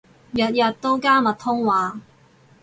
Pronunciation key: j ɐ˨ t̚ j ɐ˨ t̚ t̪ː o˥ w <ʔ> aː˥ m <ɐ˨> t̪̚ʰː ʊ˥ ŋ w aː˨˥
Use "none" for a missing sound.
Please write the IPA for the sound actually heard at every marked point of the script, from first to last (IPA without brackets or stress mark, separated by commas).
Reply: k, ɐ˨